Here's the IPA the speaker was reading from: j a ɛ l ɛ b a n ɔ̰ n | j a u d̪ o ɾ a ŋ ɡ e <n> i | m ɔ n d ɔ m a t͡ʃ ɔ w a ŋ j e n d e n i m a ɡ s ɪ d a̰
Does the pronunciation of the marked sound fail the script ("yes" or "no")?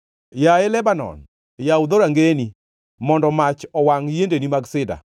no